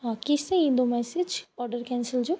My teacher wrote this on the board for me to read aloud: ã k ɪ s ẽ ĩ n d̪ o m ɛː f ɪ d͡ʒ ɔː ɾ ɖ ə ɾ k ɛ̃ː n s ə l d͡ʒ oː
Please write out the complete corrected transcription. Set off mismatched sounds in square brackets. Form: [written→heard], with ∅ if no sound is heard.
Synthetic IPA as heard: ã k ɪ s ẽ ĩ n d̪ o m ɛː [f→s] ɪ d͡ʒ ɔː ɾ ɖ ə ɾ k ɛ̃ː n s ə l d͡ʒ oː